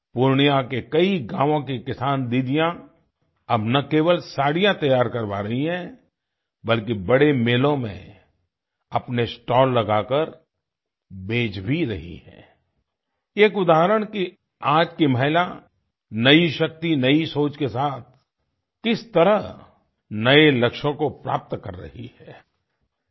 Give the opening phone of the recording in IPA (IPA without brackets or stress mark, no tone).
p